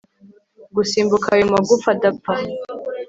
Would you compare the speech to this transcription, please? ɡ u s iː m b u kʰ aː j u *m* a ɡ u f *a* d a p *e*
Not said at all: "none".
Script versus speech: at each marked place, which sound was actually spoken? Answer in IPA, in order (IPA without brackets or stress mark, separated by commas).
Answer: m, a, a